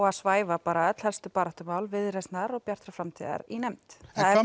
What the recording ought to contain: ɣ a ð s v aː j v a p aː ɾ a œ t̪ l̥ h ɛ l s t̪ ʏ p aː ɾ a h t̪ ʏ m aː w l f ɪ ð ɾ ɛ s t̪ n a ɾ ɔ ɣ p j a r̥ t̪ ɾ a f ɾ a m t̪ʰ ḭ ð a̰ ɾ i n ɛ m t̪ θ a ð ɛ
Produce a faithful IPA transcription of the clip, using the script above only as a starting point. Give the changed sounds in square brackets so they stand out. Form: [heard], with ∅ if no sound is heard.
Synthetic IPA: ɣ a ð s v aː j v a p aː ɾ a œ t̪ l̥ h ɛ l s t̪ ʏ p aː ɾ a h t̪ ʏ m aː w l [v] ɪ ð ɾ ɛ s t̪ n a ɾ ɔ ɣ p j a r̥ t̪ ɾ a f ɾ a m t̪ʰ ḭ ð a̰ ɾ i n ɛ m t̪ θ a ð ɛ